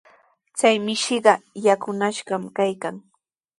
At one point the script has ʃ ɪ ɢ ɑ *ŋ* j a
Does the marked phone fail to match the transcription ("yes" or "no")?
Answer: yes